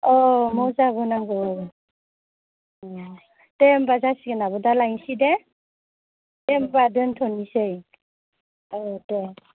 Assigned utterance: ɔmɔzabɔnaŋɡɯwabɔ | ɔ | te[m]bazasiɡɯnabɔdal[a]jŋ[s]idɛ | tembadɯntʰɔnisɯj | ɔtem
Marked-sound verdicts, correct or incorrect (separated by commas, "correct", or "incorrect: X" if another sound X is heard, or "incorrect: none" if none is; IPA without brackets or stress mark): correct, correct, correct